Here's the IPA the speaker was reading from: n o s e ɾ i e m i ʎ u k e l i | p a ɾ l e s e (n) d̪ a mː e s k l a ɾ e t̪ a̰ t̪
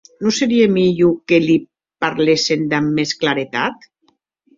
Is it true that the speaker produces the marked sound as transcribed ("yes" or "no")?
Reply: yes